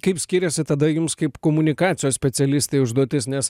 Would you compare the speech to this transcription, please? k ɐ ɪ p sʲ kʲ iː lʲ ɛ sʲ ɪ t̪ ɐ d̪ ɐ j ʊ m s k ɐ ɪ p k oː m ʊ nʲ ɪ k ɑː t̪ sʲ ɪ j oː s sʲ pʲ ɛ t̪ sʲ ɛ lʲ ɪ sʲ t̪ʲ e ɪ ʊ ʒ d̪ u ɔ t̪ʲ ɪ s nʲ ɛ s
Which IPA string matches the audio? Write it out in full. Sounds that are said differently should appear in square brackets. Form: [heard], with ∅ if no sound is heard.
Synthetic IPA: k ɐ ɪ p sʲ kʲ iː [ɾʲ] ɛ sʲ ɪ t̪ ɐ d̪ ɐ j ʊ m s k ɐ ɪ p k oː m ʊ nʲ ɪ k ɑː t̪ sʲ ɪ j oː s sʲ pʲ ɛ t̪ sʲ ɛ lʲ ɪ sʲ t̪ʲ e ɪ ʊ ʒ d̪ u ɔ t̪ʲ ɪ s nʲ ɛ s